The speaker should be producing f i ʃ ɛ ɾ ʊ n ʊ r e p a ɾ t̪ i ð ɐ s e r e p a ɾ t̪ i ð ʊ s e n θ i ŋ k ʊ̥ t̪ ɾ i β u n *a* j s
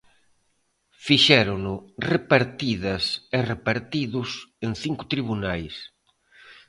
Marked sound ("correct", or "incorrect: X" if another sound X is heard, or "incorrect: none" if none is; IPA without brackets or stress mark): correct